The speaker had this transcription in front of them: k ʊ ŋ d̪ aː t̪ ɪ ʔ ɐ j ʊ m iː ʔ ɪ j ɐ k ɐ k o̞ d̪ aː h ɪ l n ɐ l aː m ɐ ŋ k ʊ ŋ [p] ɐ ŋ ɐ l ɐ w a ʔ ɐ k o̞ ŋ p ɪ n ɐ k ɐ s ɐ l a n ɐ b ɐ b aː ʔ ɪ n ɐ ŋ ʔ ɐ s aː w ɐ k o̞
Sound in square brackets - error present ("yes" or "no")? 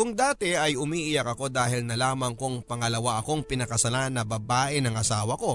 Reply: no